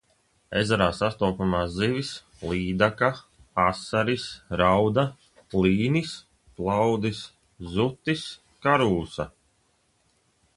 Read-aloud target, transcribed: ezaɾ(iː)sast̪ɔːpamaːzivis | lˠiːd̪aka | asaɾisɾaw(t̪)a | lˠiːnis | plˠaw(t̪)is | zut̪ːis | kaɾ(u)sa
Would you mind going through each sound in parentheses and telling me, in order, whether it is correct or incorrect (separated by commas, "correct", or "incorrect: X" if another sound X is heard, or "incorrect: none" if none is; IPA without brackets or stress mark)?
incorrect: aː, incorrect: d̪, incorrect: d̪, incorrect: uː